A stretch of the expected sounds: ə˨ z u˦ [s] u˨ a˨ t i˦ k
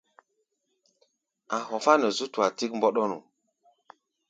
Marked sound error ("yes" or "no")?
yes